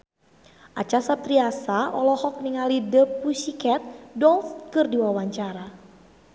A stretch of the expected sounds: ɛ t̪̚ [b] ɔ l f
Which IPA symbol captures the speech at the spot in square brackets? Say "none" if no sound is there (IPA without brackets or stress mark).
d